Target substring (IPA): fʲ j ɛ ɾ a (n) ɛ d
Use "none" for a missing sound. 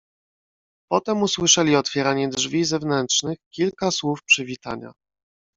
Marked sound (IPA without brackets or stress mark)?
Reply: ɲ